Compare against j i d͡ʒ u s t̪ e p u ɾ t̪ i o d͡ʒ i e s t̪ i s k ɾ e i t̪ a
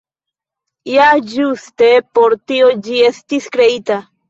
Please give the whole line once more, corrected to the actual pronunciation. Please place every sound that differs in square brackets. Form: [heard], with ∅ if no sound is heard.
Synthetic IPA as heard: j [a] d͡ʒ u s t̪ e p [o] ɾ t̪ i o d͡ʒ i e s t̪ i s k ɾ e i t̪ a

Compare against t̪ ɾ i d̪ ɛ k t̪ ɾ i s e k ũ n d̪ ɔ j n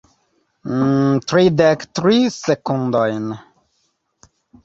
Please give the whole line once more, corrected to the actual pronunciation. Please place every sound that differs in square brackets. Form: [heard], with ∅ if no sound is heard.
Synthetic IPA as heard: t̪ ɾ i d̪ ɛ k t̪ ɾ i s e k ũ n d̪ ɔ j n

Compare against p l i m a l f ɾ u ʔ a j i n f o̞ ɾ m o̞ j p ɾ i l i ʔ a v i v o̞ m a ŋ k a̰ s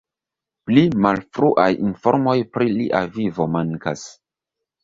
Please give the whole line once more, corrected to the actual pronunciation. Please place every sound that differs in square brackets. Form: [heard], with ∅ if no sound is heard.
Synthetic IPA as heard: p l i m a l f ɾ u ʔ a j i n f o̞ ɾ m o̞ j p ɾ i l i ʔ a v i v o̞ m a ŋ k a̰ s

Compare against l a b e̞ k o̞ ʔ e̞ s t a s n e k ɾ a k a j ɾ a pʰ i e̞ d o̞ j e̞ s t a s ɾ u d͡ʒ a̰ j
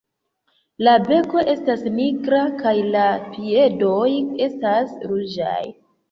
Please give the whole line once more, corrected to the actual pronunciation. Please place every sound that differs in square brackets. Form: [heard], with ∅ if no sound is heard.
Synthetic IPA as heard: l a b e̞ k o̞ ʔ e̞ s t a s n [i] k ɾ a k a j [l] a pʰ i e̞ d o̞ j e̞ s t a s ɾ u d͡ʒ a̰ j

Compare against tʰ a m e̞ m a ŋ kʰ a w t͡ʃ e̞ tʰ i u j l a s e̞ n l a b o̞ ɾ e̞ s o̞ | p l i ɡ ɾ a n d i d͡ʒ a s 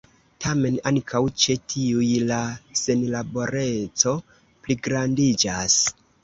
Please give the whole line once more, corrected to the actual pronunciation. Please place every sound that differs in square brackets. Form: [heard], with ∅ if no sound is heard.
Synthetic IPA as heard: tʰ a m e̞ [n] a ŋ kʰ a w t͡ʃ e̞ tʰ i u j l a s e̞ n l a b o̞ ɾ e̞ [t͡s] o̞ | p l i ɡ ɾ a n d i d͡ʒ a s

